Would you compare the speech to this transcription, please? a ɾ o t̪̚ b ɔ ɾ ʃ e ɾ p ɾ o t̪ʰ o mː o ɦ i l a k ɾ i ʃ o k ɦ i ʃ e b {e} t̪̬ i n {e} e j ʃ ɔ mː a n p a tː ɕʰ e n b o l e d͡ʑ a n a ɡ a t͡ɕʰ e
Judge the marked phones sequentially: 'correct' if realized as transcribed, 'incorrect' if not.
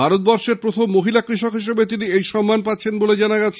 correct, incorrect: i

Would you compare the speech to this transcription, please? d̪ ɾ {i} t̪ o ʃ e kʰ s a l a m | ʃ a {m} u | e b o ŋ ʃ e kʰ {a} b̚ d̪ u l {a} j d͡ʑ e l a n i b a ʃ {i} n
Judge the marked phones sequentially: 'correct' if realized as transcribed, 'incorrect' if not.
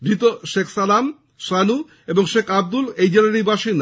correct, incorrect: n, correct, incorrect: e, correct

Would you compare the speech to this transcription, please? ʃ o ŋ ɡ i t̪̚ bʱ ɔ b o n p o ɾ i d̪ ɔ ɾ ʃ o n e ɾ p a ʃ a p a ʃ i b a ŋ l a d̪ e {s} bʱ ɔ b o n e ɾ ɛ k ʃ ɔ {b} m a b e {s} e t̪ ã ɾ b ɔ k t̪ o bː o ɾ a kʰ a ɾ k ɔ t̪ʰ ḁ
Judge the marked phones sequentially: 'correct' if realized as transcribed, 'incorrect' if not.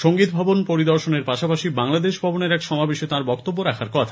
incorrect: ʃ, incorrect: none, incorrect: ʃ

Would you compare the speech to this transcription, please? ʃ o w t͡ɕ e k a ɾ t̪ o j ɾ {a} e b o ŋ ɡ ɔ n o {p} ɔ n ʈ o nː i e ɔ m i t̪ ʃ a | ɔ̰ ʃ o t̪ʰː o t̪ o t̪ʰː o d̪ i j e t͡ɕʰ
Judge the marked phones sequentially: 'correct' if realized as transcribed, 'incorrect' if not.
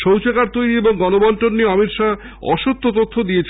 incorrect: i, incorrect: b

